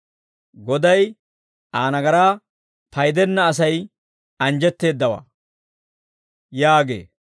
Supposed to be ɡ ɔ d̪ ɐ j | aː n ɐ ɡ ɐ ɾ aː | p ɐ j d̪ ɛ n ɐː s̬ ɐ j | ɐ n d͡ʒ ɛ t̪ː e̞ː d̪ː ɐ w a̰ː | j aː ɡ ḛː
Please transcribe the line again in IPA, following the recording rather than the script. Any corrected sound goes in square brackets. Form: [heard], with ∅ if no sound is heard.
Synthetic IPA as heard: ɡ ɔ d̪ ɐ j | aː n ɐ ɡ ɐ ɾ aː | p ɐ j d̪ ɛ [nː] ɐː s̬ ɐ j | ɐ n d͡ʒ ɛ t̪ː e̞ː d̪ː ɐ w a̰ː | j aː ɡ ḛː